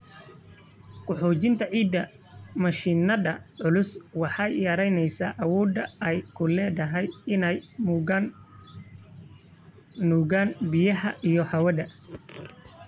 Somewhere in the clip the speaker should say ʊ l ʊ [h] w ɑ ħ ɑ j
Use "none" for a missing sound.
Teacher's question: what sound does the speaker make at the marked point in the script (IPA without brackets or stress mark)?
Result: s